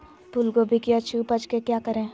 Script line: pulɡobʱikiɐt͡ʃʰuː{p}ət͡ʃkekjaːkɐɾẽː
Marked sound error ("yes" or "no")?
no